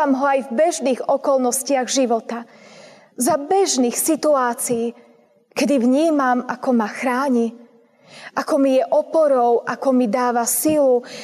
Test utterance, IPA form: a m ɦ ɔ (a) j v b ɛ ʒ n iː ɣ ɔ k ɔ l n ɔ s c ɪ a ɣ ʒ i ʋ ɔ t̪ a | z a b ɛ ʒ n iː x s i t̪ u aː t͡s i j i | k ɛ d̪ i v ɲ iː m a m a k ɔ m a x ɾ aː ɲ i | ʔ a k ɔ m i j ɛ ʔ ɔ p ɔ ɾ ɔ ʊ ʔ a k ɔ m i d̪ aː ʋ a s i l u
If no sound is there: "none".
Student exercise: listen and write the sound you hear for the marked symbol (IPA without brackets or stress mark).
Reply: a